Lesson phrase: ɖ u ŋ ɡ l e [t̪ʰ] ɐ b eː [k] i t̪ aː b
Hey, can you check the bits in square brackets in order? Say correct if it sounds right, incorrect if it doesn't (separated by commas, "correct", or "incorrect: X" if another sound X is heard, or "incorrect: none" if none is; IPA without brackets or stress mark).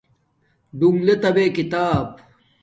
incorrect: t̪, correct